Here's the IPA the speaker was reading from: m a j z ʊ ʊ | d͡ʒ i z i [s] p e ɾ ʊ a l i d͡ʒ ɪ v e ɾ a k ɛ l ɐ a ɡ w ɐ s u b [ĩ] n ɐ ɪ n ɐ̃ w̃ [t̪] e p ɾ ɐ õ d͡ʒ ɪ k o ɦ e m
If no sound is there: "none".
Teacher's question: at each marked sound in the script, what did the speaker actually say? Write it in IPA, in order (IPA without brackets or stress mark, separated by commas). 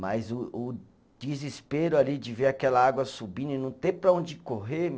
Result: s, ĩ, t̪